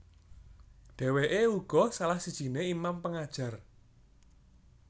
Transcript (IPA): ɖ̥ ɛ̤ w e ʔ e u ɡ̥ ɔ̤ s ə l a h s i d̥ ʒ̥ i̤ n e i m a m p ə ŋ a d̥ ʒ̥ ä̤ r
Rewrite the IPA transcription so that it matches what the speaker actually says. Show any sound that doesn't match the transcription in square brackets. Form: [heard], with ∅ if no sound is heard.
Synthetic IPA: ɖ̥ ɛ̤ w e ʔ e u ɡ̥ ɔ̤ s [a] l a h s i d̥ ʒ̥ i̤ n e i m a m p ə ŋ a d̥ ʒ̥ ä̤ r